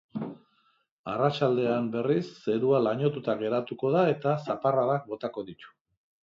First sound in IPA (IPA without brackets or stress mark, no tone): a